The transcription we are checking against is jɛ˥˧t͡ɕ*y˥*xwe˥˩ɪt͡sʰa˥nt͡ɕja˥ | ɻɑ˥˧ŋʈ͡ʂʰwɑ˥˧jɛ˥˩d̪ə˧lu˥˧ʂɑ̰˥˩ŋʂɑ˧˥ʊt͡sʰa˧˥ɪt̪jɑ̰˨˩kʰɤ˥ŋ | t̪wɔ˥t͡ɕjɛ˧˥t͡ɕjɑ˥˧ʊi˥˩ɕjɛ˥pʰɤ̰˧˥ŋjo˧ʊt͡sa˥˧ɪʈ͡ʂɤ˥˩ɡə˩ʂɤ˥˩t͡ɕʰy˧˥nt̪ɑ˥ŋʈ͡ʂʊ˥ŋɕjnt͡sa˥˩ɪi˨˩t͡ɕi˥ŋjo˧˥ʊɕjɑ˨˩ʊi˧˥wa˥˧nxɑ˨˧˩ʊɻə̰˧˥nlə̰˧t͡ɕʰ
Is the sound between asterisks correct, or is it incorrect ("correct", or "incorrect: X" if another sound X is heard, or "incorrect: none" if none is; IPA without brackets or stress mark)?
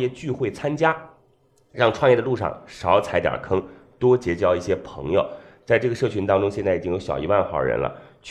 incorrect: y˥˧